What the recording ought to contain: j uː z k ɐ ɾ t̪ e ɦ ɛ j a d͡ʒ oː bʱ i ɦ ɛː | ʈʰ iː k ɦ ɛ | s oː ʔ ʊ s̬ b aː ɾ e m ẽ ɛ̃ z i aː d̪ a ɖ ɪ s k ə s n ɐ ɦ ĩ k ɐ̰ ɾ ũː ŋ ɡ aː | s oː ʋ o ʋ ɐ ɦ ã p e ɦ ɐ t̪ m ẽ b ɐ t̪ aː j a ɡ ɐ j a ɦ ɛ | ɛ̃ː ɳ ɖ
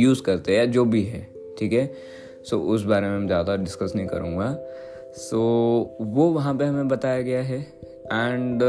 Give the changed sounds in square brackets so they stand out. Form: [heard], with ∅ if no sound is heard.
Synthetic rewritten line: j uː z k ɐ ɾ t̪ e ɦ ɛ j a d͡ʒ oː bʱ i ɦ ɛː | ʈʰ iː k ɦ ɛ | s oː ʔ ʊ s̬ b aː ɾ e m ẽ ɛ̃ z [j] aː d̪ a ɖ ɪ s k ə s n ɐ ɦ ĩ k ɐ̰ ɾ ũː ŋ ɡ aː | s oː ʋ o ʋ ɐ ɦ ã p e ɦ ɐ [∅] m ẽ b ɐ t̪ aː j a ɡ ɐ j a ɦ ɛ | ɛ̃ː ɳ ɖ